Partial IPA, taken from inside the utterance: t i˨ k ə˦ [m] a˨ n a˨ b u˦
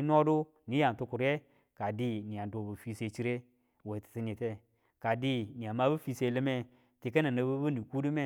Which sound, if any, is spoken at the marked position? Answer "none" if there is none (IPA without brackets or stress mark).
n